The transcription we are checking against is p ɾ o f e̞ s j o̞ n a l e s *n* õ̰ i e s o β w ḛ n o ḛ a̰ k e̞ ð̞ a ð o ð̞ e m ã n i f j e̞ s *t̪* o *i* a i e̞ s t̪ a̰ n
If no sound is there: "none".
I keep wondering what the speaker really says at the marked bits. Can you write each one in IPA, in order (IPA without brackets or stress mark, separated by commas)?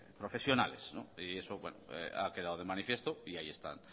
n, t̪, i